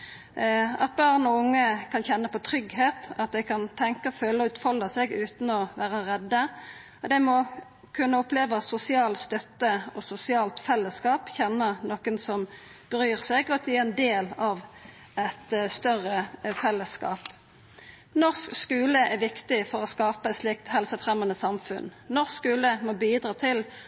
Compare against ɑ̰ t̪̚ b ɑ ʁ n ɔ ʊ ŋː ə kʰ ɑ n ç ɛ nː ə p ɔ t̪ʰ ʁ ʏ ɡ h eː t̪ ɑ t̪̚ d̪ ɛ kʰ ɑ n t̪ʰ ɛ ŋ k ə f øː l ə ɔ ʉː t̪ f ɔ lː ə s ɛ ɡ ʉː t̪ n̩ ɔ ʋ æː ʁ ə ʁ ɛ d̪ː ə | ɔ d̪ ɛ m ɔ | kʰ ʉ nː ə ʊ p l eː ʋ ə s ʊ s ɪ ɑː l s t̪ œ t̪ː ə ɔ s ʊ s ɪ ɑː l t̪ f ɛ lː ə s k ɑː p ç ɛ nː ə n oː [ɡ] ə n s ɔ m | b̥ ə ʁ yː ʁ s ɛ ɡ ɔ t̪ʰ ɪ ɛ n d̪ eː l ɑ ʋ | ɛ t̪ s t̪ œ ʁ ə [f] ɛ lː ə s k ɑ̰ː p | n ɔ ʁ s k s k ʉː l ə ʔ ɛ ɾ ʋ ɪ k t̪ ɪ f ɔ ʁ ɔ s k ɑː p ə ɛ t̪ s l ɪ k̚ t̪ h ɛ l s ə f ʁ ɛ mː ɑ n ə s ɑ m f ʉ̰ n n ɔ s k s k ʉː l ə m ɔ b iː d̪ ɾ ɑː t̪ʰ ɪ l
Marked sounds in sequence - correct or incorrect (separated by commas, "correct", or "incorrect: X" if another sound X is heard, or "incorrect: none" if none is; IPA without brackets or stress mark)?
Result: incorrect: k, correct